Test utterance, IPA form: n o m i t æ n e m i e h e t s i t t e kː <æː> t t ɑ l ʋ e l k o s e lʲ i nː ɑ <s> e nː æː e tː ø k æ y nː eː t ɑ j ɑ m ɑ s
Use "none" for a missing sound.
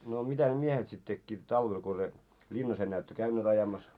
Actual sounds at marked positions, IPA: iː, s

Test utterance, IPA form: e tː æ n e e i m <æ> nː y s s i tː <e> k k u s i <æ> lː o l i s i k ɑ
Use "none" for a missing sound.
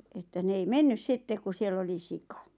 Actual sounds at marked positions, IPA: e, e, e

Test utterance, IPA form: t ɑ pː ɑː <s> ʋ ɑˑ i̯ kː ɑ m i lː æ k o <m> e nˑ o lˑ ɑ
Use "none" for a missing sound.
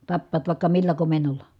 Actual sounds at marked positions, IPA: t, m

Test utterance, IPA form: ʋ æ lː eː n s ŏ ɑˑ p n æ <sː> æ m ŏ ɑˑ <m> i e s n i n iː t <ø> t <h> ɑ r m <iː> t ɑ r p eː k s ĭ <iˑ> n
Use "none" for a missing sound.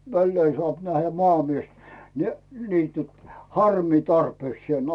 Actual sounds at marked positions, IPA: hː, m, y, h, iː, eˑ

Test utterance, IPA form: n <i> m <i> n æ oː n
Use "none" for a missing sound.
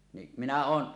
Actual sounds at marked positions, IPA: i, i

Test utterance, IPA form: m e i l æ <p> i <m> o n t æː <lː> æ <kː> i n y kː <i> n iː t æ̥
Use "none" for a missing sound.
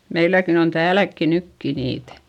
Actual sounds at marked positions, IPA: k, n, l, kː, i

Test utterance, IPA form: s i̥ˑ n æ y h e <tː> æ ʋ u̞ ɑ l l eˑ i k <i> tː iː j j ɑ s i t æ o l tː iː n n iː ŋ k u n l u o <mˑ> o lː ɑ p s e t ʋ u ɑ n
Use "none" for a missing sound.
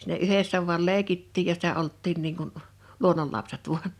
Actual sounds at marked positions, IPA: sː, i, nˑ

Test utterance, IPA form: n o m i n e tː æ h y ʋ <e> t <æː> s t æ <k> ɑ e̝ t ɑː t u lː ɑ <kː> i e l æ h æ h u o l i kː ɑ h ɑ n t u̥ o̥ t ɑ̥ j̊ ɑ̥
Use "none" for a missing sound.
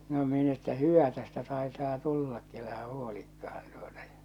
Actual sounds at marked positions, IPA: æ, æ, t, kː

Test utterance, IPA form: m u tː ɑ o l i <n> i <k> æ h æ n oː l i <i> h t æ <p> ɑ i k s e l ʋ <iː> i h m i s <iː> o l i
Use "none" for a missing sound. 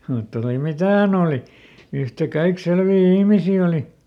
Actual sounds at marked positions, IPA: m, t, y, k, iː, iː

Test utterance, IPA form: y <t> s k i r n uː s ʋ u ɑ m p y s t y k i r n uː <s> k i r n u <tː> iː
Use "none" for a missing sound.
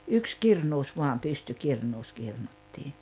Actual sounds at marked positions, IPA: k, s, tː

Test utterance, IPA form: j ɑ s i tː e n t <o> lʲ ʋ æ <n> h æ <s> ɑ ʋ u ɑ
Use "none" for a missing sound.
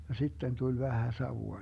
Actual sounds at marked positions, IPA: u, none, s

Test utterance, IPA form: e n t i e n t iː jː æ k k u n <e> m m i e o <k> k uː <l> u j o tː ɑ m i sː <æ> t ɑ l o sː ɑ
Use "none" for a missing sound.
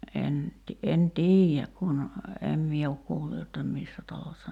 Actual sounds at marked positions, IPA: e, k, lː, æ

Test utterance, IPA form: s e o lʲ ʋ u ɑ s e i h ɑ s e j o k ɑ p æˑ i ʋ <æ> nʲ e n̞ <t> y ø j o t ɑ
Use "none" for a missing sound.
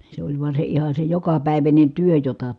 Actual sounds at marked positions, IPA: æ, t

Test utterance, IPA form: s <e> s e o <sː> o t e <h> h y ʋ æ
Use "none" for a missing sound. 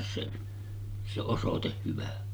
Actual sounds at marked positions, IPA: e, s, h

